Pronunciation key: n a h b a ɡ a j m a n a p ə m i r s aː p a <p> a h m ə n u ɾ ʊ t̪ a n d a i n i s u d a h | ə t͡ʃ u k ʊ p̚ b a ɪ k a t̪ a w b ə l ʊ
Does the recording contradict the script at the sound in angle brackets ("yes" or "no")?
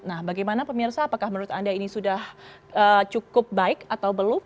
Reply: yes